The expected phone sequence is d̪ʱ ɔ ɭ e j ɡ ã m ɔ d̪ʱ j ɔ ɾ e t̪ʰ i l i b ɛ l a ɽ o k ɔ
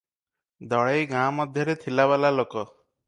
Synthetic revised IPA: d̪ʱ ɔ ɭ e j ɡ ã m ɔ d̪ʱ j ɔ ɾ e t̪ʰ i l a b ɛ l a l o k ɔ